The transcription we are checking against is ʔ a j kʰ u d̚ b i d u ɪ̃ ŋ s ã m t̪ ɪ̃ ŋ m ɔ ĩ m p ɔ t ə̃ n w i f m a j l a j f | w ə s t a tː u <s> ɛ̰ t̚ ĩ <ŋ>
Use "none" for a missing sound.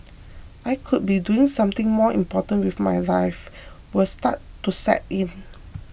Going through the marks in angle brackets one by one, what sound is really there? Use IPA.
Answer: s, n

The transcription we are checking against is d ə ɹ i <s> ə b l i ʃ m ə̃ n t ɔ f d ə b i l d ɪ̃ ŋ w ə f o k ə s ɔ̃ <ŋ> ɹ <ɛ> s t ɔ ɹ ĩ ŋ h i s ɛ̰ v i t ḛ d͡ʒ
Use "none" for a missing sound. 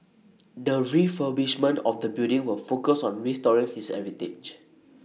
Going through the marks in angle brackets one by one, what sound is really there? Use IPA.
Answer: f, n, i

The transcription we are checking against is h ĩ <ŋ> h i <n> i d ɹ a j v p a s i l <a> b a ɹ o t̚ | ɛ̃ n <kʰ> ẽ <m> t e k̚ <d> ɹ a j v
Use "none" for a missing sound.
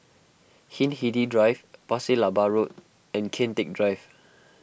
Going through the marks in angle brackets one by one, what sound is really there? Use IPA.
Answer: n, d, a, kʰ, n, d

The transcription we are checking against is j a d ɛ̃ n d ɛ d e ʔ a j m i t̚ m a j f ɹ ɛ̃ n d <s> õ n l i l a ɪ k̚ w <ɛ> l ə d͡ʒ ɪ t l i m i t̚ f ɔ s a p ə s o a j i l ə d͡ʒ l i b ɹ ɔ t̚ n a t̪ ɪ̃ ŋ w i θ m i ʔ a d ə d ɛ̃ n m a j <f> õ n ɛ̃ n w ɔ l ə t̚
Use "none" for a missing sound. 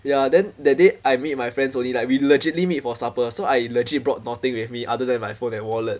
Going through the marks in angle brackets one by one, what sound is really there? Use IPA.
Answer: s, i, f

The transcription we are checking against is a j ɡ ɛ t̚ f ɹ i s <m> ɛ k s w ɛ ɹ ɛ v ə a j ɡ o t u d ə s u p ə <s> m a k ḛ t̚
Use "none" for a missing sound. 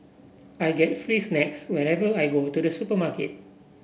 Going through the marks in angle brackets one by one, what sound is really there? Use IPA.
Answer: n, none

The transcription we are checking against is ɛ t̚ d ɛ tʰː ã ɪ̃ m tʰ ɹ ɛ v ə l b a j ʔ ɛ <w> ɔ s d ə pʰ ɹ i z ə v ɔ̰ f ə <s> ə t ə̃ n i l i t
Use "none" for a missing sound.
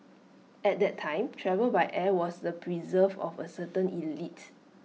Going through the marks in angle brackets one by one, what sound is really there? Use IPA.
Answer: w, s

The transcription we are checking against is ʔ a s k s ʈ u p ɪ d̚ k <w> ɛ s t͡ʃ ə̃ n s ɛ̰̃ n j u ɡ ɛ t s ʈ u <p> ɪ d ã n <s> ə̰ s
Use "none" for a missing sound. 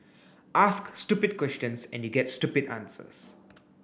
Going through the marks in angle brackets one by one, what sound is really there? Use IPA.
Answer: w, p, s

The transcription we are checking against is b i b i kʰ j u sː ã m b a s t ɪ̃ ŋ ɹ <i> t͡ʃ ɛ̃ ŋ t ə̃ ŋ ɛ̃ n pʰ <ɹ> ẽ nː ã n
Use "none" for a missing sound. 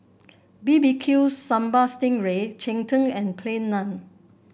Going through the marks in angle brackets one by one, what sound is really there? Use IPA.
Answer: e, l

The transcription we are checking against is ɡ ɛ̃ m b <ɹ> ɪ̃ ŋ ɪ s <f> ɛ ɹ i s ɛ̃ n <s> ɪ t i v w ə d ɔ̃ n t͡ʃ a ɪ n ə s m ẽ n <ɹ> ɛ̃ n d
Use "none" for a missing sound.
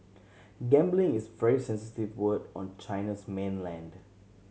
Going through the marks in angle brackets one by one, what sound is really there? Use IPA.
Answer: l, v, s, l

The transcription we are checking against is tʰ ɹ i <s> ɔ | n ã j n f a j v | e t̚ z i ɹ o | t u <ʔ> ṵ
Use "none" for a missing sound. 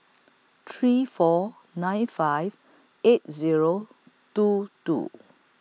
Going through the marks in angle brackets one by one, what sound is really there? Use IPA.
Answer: f, t

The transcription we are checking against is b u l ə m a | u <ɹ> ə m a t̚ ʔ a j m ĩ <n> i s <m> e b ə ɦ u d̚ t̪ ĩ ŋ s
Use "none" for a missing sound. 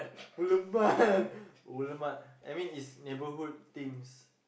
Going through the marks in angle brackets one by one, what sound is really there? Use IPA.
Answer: l, n, n

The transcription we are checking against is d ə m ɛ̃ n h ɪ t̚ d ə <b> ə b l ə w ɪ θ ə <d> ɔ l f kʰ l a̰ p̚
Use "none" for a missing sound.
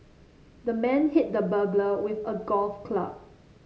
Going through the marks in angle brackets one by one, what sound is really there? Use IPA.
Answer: b, ɡ

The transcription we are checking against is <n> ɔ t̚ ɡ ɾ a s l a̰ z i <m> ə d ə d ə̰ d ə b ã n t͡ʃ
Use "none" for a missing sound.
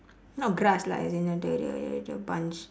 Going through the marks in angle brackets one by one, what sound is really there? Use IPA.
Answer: n, n

